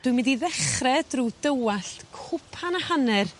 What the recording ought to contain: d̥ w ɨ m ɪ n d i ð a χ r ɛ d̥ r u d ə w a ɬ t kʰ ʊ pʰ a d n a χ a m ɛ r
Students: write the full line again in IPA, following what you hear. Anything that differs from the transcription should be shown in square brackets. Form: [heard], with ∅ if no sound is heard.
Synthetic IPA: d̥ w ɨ m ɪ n d i ð [ɛ] χ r ɛ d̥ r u d ə w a ɬ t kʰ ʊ pʰ a [∅] n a [h] a [n] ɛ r